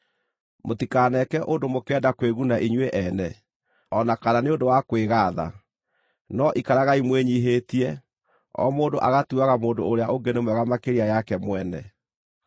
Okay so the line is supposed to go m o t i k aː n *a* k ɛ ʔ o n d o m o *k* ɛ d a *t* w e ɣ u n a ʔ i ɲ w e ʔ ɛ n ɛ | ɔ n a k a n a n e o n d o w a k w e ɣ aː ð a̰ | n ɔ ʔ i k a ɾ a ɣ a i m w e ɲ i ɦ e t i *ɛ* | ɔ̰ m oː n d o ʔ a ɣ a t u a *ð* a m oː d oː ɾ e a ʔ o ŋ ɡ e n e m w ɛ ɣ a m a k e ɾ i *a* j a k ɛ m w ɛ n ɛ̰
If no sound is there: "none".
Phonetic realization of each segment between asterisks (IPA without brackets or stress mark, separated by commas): ɛ, k, k, ɛ, ɣ, a